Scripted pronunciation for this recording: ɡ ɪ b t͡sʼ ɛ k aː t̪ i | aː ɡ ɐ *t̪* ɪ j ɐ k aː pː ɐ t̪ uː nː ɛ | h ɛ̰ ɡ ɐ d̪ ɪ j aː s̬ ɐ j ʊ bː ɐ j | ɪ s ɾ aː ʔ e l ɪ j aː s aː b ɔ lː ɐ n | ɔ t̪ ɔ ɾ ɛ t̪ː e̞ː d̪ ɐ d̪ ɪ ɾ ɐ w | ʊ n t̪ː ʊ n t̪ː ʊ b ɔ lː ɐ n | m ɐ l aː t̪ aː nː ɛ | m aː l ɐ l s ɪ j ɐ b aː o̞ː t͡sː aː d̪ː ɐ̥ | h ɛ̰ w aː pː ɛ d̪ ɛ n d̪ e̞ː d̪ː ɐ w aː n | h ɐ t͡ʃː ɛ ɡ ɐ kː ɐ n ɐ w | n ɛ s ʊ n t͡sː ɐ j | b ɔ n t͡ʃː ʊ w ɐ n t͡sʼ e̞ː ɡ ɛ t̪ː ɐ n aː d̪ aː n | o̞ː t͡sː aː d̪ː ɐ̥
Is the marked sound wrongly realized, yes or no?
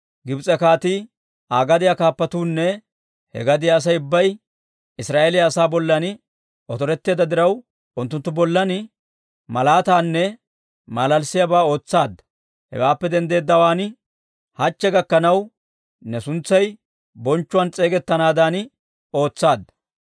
yes